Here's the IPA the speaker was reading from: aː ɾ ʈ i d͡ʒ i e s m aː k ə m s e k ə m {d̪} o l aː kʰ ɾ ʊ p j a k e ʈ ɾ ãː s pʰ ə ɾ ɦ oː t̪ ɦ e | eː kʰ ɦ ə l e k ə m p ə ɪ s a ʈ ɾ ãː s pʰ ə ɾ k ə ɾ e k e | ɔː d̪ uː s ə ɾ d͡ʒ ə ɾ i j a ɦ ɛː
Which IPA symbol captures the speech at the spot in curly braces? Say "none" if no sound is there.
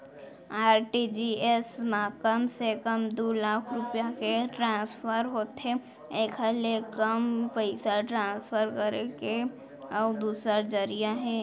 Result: d̪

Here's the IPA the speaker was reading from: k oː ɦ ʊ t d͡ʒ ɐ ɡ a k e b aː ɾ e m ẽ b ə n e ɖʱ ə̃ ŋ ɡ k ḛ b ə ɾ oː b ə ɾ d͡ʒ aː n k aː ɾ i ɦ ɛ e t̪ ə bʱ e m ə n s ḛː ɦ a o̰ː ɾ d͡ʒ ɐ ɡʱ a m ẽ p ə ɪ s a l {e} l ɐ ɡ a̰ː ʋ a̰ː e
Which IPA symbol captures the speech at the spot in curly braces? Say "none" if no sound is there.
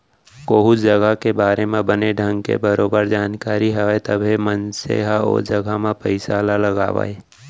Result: a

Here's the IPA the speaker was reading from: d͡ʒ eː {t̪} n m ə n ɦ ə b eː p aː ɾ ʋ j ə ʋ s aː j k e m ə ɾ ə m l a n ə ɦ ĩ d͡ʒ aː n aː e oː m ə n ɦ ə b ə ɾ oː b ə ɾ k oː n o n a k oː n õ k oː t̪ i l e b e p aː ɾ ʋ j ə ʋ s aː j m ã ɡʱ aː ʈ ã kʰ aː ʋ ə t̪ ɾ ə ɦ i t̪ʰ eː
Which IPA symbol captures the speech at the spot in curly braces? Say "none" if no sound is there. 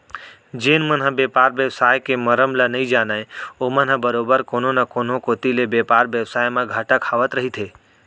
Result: none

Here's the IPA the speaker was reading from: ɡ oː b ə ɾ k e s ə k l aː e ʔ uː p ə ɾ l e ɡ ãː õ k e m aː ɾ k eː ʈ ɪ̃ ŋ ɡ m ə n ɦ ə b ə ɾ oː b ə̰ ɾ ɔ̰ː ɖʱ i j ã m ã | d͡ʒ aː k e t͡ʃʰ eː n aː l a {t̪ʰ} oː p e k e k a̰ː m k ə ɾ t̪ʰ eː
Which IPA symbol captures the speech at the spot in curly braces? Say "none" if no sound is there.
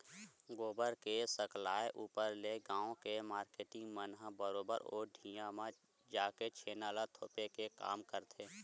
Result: t̪ʰ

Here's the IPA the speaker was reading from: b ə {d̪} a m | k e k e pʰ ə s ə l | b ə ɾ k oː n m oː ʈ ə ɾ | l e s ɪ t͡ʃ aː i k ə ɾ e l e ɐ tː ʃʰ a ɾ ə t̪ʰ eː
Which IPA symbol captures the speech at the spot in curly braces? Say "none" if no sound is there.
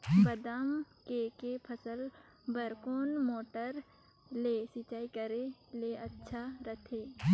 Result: d̪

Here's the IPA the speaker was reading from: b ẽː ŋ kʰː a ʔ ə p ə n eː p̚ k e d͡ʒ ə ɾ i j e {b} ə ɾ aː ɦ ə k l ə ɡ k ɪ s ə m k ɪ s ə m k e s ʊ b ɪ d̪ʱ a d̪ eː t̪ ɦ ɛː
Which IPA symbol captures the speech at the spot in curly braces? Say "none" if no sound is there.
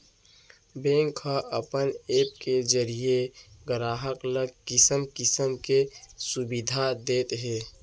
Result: ɡ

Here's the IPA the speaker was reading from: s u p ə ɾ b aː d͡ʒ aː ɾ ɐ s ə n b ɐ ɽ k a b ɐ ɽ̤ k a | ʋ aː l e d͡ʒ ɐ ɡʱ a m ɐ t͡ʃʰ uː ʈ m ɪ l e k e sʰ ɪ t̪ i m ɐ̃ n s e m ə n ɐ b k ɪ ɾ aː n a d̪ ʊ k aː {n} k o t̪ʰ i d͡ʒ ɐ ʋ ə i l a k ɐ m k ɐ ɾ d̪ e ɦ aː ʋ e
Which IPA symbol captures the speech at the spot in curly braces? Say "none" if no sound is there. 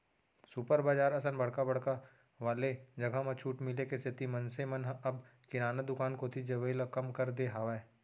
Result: n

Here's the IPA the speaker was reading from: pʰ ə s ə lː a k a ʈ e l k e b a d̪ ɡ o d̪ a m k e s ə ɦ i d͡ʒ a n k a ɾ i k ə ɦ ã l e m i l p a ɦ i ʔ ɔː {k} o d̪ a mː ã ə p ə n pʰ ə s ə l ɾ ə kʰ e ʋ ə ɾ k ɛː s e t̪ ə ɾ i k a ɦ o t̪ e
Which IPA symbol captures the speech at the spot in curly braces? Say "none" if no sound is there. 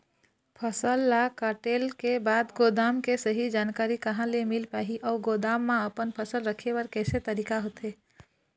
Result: ɡ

